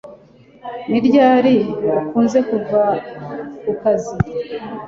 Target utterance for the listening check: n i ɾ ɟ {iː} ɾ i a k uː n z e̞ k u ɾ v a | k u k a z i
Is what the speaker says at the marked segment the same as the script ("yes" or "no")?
no